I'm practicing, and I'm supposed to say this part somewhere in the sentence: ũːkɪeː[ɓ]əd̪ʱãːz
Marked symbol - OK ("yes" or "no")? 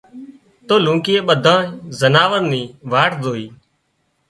yes